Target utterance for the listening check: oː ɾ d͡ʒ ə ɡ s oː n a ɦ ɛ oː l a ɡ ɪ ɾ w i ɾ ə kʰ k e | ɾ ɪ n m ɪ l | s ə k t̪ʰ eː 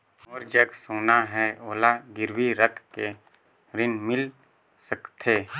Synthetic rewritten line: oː ɾ d͡ʒ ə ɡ s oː n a ɦ ɛ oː l a ɡ ɪ ɾ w i ɾ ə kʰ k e | ɾ ɪ n m ɪ l | s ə k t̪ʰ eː